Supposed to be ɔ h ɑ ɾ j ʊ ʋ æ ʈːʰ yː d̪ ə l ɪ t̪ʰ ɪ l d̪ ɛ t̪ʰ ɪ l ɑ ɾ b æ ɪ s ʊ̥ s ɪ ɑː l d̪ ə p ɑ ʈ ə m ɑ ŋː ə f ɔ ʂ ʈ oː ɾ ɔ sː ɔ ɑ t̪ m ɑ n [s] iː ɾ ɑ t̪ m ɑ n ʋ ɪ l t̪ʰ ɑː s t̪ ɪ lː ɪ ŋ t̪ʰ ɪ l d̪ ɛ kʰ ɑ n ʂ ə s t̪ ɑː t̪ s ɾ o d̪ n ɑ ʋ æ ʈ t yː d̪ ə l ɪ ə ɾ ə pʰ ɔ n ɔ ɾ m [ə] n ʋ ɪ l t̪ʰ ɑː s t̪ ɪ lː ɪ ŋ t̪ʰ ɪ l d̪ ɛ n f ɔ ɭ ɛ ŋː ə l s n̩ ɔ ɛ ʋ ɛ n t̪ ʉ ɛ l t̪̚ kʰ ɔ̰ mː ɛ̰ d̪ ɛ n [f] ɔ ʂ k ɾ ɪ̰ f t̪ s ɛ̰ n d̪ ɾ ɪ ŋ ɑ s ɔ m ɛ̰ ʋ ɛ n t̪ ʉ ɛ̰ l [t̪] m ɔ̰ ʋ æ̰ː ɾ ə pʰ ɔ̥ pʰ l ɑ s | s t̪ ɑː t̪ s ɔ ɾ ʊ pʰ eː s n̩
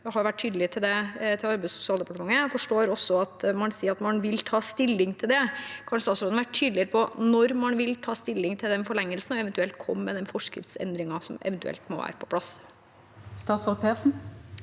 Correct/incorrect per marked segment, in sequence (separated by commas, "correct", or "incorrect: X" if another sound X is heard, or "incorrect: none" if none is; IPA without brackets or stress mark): correct, incorrect: ɑ, correct, correct